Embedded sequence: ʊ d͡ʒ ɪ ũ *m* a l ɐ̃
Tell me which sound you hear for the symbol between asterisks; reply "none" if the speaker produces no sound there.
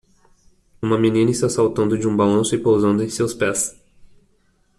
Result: b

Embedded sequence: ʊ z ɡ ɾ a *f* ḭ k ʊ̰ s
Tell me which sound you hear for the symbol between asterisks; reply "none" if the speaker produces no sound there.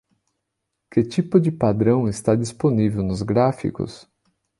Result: f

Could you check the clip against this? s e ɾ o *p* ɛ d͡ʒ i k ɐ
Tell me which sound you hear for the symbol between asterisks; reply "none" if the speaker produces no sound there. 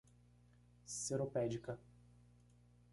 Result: p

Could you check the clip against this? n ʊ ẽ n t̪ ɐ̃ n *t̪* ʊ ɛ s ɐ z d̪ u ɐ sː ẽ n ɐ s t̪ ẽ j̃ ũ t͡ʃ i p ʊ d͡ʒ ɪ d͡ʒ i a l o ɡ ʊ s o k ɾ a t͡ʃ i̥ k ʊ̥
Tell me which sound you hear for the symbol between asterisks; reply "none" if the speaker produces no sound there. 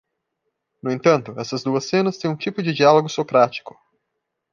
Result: t̪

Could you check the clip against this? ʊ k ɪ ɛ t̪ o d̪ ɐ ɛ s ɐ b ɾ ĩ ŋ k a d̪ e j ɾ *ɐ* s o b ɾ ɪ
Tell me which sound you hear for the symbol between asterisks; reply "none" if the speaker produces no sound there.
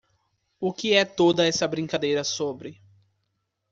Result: ɐ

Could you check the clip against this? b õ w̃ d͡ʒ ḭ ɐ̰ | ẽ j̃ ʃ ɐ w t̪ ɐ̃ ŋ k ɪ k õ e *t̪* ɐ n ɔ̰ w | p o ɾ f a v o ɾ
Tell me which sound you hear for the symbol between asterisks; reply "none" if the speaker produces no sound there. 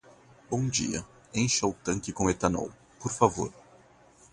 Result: t̪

